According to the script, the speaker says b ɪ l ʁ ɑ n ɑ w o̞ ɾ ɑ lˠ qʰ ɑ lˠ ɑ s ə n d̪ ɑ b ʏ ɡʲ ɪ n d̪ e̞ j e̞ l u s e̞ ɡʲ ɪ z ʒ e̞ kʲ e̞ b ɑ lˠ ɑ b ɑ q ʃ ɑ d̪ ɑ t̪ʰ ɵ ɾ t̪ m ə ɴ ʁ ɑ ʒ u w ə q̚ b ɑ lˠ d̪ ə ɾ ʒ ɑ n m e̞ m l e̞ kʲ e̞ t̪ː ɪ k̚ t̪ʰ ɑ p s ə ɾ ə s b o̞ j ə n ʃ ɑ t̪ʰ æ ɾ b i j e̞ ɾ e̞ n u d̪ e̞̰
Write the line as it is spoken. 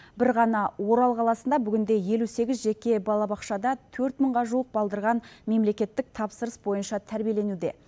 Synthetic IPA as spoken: b ɪ ɾ ʁ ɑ n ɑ w o̞ ɾ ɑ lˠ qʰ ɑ lˠ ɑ s ə n d̪ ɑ b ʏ ɡʲ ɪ n d̪ e̞ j e̞ l u s e̞ ɡʲ ɪ z ʒ e̞ kʲ e̞ b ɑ lˠ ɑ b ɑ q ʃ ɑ d̪ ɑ t̪ʰ ɵ ɾ t̪ m ə ɴ ʁ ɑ ʒ u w ə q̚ b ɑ lˠ d̪ ə ɾ ʁ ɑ n m e̞ m l e̞ kʲ e̞ t̪ː ɪ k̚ t̪ʰ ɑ p s ə ɾ ə s b o̞ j ə n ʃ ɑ t̪ʰ æ ɾ b i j e̞ l e̞ n u d̪ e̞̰